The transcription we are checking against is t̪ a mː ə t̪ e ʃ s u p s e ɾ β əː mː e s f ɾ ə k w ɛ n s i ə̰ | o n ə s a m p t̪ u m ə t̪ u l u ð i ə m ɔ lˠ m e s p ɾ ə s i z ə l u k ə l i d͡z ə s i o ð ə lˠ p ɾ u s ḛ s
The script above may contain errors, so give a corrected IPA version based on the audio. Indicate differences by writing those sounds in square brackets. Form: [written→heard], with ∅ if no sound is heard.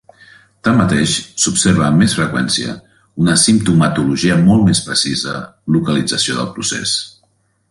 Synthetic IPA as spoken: t̪ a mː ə t̪ e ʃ s u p s e ɾ β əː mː e s f ɾ ə k w ɛ n s i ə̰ | [o→u] n ə s [a→i] m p t̪ u m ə t̪ u l u [ð→ʒ] i ə m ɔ lˠ m e s p ɾ ə s i z ə l u k ə l i d͡z ə s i o ð ə lˠ p ɾ u s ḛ s

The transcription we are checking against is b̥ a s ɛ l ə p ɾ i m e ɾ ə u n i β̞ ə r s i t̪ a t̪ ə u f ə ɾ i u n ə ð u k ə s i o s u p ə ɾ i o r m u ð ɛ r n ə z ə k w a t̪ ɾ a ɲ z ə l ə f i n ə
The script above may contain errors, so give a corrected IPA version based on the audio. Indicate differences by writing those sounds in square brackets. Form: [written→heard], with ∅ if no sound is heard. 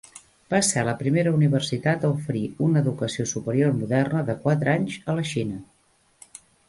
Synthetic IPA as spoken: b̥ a s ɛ l ə p ɾ i m e ɾ ə u n i β̞ ə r s i t̪ a t̪ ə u f ə ɾ i u n ə ð u k ə s i o s u p ə ɾ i o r m u ð ɛ r n ə [z→ð] ə k w a t̪ ɾ a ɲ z ə l ə [f→ʃ] i n ə

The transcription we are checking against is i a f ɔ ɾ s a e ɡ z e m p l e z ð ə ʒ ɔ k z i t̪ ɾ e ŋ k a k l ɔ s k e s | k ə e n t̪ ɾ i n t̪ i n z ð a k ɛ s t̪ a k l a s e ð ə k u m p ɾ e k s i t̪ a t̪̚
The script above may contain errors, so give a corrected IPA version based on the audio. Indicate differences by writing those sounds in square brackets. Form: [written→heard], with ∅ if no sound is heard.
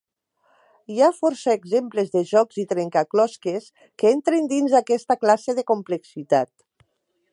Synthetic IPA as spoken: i a f ɔ ɾ s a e ɡ z e m p l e z ð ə ʒ ɔ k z i t̪ ɾ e ŋ k a k l ɔ s k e s | k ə e n t̪ ɾ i n [t̪→d̪] i n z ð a k ɛ s t̪ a k l a s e ð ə k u m p [ɾ→l] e k s i t̪ a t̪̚

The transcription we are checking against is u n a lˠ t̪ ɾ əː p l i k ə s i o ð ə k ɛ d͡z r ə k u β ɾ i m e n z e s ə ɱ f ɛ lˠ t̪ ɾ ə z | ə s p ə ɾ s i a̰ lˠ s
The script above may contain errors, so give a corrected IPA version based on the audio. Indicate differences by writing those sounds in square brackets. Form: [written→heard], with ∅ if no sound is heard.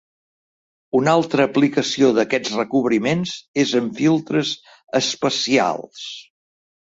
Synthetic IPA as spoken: u n a lˠ t̪ ɾ əː p l i k ə s i o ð ə k ɛ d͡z r ə k u β ɾ i m e n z e [s→z] ə ɱ f [ɛ→i] lˠ t̪ ɾ ə z | ə s p ə [ɾ→∅] s i a̰ lˠ s

